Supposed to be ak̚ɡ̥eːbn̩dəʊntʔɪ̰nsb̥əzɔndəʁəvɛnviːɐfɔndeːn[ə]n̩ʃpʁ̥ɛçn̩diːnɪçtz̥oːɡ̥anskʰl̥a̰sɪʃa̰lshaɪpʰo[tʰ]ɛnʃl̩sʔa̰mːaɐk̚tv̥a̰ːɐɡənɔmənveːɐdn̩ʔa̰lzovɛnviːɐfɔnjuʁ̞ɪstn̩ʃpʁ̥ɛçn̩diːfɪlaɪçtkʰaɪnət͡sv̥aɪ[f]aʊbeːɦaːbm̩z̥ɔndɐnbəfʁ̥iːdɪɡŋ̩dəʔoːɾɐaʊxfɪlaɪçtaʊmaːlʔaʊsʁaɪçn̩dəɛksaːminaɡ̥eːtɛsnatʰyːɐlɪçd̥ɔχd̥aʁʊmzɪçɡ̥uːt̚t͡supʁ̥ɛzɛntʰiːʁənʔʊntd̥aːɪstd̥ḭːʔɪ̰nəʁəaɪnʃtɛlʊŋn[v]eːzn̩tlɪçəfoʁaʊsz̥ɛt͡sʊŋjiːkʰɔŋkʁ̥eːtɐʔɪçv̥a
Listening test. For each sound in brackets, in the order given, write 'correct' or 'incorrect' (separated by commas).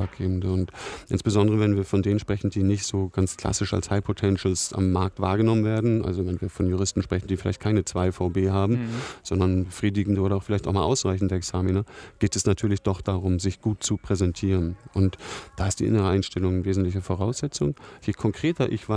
correct, correct, correct, correct